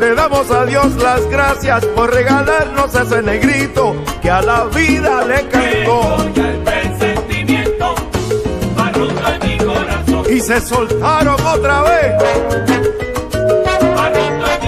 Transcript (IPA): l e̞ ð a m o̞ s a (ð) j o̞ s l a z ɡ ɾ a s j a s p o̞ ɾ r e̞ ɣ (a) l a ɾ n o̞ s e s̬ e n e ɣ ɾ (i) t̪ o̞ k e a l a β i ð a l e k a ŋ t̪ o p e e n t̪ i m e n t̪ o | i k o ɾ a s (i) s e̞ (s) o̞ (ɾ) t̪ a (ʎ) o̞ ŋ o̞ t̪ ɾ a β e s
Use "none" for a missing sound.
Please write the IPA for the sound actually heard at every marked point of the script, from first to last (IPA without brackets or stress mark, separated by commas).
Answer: ð, a, i, i, s, l, ɾ